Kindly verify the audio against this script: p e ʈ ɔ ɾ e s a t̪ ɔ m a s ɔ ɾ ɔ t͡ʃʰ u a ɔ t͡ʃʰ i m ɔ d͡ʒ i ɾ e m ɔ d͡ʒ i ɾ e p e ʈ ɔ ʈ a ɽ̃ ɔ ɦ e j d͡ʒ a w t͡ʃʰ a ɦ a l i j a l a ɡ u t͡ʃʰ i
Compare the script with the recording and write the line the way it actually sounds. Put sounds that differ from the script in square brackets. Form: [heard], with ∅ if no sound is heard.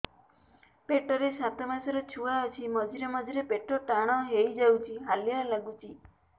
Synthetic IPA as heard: p e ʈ ɔ ɾ e s a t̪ ɔ m a s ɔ ɾ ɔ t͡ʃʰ u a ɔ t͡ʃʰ i m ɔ d͡ʒ i ɾ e m ɔ d͡ʒ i ɾ e p e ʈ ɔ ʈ a ɽ̃ ɔ ɦ e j d͡ʒ a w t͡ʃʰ [i] ɦ a l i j a l a ɡ u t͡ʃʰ i

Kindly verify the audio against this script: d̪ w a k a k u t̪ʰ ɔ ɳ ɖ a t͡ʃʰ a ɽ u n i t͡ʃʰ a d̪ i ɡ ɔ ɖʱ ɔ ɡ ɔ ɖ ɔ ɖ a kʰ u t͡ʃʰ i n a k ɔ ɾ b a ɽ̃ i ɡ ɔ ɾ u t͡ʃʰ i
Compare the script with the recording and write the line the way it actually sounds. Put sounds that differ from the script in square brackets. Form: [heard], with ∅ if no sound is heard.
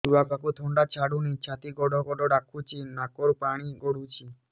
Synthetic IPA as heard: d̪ [u] a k a k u t̪ʰ ɔ ɳ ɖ a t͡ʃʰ a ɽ u n i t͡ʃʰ a [t̪] i ɡ ɔ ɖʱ ɔ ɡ ɔ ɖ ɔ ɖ a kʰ u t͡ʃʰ i n a k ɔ ɾ [p] a ɽ̃ i ɡ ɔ [ɽ] u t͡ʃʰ i

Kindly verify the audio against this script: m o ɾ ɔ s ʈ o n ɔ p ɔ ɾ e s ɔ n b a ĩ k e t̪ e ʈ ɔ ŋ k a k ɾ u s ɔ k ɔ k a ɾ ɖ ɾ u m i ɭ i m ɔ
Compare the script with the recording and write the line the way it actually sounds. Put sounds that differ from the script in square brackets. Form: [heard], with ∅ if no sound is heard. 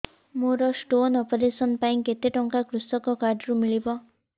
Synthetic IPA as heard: m o ɾ ɔ s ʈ o n ɔ p ɔ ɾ e s ɔ n [p] a ĩ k e t̪ e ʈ ɔ ŋ k a k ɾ u s ɔ k ɔ k a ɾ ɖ ɾ u m i ɭ i [b] ɔ

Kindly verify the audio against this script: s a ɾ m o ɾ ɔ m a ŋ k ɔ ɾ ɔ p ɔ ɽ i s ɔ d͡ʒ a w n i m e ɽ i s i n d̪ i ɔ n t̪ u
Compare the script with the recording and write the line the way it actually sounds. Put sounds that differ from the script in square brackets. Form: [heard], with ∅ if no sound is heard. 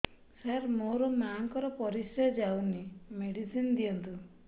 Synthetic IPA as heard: s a ɾ m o ɾ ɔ m a ŋ k ɔ ɾ ɔ p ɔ [ɾ] i s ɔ d͡ʒ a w n i m e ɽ i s i n d̪ i ɔ n t̪ u

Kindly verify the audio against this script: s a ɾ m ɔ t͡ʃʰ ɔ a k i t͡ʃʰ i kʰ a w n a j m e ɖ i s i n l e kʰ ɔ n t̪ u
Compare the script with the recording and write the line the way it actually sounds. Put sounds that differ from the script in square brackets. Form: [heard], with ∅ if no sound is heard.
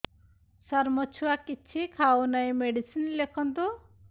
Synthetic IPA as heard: s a ɾ m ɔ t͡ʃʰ [u] a k i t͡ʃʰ i kʰ a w n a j m e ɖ i s i n l e kʰ ɔ n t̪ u

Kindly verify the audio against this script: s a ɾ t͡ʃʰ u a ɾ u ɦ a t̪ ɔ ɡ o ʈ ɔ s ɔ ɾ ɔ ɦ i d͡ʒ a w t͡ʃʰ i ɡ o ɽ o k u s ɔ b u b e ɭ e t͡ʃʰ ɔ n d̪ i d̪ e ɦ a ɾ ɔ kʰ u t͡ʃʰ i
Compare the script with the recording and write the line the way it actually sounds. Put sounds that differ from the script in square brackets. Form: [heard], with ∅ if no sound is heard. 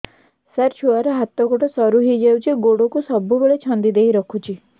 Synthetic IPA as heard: s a ɾ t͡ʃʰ u a ɾ [ɔ] ɦ a t̪ ɔ ɡ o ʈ ɔ s ɔ ɾ [u] ɦ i d͡ʒ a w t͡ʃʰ i ɡ o ɽ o k u s ɔ b u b e ɭ e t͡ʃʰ ɔ n d̪ i d̪ e ɦ [i] ɾ ɔ kʰ u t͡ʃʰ i

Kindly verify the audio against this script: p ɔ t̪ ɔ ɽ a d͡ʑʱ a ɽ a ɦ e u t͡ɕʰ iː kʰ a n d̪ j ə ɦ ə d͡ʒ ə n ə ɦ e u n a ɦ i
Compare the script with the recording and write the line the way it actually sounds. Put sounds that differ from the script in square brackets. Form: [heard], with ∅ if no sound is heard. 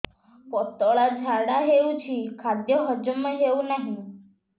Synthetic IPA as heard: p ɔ t̪ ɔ [ɭ] a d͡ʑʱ a ɽ a ɦ e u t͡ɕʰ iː kʰ a [∅] d̪ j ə ɦ ə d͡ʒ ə [m] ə ɦ e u n a ɦ i

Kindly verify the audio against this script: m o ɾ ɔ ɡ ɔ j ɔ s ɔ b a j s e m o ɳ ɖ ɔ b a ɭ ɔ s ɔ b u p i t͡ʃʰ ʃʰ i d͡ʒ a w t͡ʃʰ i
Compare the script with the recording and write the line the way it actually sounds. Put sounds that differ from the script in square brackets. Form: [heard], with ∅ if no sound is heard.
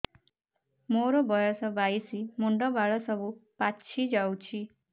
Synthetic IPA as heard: m o ɾ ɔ [b] ɔ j ɔ s ɔ b a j s [i] m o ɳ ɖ ɔ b a ɭ ɔ s ɔ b u p [a] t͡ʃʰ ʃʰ i d͡ʒ a w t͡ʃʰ i

